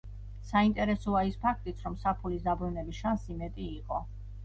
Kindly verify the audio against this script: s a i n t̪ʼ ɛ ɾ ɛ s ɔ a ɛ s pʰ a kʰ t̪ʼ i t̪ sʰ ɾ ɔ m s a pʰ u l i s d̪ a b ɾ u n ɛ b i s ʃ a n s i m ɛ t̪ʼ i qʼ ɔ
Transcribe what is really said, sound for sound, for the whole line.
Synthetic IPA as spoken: s a i n t̪ʼ ɛ ɾ ɛ s ɔ a i s pʰ a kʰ t̪ʼ i t̪ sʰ ɾ ɔ m s a pʰ u l i s d̪ a b ɾ u n ɛ b i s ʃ a n s i m ɛ t̪ʼ iː qʼ ɔ

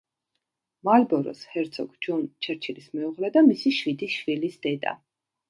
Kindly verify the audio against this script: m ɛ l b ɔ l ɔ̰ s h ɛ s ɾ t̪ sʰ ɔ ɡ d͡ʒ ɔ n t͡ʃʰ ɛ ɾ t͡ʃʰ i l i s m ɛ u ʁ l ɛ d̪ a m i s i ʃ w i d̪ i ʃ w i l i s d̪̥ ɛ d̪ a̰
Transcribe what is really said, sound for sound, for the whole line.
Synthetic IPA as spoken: m a l b ɔ ɾ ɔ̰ s h ɛ ɾ t̪ sʰ ɔ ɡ d͡ʒ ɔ n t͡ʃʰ ɛ ɾ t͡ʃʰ i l i s m ɛ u ʁ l ɛ d̪ a m i s i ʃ w i d̪ i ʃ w i l i s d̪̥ ɛ d̪ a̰

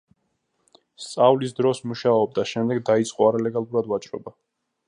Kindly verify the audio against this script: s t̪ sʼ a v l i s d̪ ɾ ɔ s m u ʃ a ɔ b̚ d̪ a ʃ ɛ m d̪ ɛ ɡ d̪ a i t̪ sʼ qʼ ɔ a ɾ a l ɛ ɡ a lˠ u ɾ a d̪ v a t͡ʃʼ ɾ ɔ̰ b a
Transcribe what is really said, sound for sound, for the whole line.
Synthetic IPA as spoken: s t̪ sʼ a v l i s d̪ ɾ ɔ s m u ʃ a ɔ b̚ d̪ a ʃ ɛ m d̪ ɛ ɡ d̪ a i t̪ sʼ qʼ ɔ a ɾ a l ɛ ɡ a lˠ u ɾ a d̪ v a t͡ʃʼ ɾ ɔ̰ b a

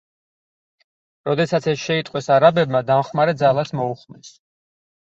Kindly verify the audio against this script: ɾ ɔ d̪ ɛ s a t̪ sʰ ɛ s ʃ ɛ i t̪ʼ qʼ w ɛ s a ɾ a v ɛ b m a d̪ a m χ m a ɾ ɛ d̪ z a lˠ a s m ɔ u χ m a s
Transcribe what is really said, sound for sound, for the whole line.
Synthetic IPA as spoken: ɾ ɔ d̪ ɛ s a t̪ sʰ ɛ s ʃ ɛ i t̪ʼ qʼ w ɛ s a ɾ a b ɛ b m a d̪ a m χ m a ɾ ɛ d̪ z a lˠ a s m ɔ u χ m ɛ s

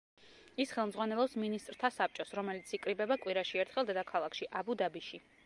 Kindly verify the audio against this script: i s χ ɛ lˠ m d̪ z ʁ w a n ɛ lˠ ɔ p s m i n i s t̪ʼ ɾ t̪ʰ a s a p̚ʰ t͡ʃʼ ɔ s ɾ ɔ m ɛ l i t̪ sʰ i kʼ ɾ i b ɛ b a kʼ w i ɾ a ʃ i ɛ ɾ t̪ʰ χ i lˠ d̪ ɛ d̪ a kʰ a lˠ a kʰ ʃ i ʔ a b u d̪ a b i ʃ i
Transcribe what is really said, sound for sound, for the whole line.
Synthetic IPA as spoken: i s χ ɛ lˠ m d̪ z ʁ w a n ɛ lˠ ɔ p s m i n i s t̪ʼ ɾ t̪ʰ a s a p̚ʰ t͡ʃʼ ɔ s ɾ ɔ m ɛ l i t̪ sʰ i kʼ ɾ i b ɛ b a kʼ w i ɾ a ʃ i ɛ ɾ t̪ʰ χ ɛ lˠ d̪ ɛ d̪ a kʰ a lˠ a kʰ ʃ i ʔ a b u d̪ a b i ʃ i

